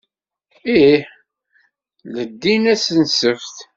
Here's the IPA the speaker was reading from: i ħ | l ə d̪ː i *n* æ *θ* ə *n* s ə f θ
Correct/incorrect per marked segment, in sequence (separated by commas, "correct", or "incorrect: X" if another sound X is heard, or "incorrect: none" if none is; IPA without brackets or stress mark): correct, incorrect: s, correct